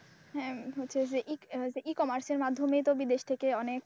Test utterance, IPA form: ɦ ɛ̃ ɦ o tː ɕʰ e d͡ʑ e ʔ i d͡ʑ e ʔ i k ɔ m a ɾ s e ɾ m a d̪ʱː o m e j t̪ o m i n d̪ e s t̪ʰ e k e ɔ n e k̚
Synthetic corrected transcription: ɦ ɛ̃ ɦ o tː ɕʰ e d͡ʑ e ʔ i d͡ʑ e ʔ i k ɔ m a ɾ s e ɾ m a d̪ʱː o m e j t̪ o b i d̪ e ʃ t̪ʰ e k e ɔ n e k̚